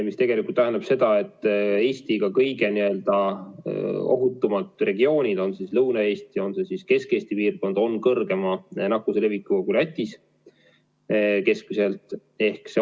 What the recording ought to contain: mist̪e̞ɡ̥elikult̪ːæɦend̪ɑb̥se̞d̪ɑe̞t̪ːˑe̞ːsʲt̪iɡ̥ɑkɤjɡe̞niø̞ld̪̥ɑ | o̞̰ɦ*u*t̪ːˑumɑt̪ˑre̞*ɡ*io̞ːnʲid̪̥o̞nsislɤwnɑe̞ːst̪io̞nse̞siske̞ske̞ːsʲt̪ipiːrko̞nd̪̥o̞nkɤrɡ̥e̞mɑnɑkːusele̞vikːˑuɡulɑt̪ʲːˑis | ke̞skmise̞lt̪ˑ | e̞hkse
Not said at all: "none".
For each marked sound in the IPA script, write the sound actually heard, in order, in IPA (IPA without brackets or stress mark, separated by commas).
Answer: u, ɡ